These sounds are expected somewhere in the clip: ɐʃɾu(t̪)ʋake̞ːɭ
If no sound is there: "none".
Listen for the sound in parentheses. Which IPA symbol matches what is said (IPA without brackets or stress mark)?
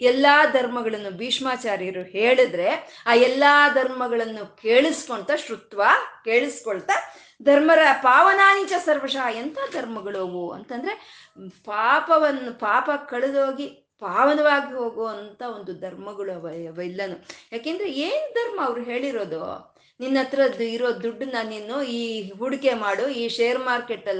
t̪